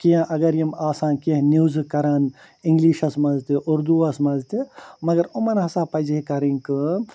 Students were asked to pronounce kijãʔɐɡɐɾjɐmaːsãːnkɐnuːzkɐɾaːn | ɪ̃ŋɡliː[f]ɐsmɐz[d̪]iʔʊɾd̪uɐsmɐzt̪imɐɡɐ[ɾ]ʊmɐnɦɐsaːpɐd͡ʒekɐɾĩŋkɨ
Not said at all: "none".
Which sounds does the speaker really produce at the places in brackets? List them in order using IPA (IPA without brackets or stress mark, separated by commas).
ʃ, t̪, ɾ